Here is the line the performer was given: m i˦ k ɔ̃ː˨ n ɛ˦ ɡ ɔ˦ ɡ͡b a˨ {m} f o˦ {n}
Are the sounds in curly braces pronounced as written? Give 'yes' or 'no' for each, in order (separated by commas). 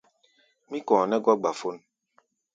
no, yes